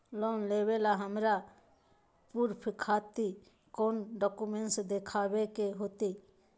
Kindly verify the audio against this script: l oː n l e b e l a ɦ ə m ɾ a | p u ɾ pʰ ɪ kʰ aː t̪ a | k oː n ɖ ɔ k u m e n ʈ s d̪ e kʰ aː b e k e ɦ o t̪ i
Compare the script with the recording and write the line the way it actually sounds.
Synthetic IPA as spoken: l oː n l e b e l a ɦ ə m ɾ a | p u ɾ pʰ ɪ kʰ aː t̪ i | k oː n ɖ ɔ k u m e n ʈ s d̪ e kʰ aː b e k e ɦ o t̪ i